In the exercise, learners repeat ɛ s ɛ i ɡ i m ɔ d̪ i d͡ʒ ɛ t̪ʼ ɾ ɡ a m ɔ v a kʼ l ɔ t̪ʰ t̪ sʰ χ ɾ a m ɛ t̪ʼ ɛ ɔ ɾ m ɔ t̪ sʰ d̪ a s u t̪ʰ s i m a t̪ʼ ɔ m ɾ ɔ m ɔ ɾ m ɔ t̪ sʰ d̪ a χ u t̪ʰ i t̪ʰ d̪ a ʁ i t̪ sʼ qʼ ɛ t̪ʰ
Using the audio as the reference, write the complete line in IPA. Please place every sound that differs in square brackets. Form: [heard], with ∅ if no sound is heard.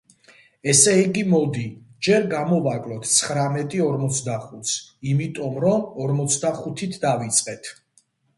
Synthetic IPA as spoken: ɛ s ɛ i ɡ i m ɔ d̪ i d͡ʒ ɛ [∅] ɾ ɡ a m ɔ v a kʼ l ɔ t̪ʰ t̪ sʰ χ ɾ a m ɛ t̪ʼ [i] ɔ ɾ m ɔ t̪ sʰ d̪ a [χ] u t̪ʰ s i m [i] t̪ʼ ɔ m ɾ ɔ m ɔ ɾ m ɔ t̪ sʰ d̪ a χ u t̪ʰ i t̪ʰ d̪ a [v] i t̪ sʼ qʼ ɛ t̪ʰ